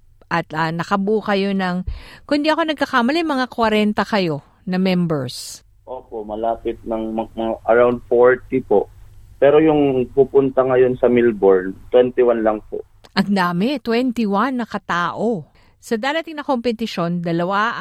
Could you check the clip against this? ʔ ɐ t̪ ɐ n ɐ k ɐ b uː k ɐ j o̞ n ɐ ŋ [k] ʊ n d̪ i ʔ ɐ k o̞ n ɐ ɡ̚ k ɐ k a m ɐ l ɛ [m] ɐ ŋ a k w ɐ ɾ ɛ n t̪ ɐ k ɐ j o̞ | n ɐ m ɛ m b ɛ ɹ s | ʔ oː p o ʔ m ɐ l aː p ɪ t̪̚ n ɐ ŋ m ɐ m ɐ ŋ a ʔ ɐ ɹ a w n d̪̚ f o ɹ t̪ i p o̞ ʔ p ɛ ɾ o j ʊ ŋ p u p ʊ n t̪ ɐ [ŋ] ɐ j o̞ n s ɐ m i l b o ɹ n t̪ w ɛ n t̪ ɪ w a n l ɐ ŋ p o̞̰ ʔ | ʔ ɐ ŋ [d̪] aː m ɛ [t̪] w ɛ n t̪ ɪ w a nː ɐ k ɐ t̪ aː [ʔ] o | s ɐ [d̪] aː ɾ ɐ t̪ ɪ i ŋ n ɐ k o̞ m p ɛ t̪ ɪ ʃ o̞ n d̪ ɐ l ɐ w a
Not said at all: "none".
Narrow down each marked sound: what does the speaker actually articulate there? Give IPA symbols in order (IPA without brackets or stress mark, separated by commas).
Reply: k, m, ŋ, d̪, t̪, ʔ, d̪